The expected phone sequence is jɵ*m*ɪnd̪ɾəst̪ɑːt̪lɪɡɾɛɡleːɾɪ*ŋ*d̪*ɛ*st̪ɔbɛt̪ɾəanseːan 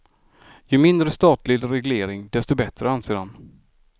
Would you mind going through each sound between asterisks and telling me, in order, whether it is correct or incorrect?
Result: correct, correct, correct

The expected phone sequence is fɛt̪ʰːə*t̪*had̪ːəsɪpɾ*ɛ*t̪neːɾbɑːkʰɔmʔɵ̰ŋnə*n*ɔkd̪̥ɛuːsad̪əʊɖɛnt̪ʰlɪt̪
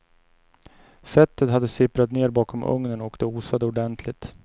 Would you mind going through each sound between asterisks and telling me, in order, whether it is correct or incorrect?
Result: correct, incorrect, correct

